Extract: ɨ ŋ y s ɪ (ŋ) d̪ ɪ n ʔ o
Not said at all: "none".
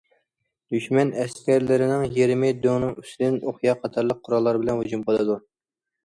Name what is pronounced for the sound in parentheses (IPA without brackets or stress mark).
none